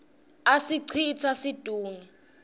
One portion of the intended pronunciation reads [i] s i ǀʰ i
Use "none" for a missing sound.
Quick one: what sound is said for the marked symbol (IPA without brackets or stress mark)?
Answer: a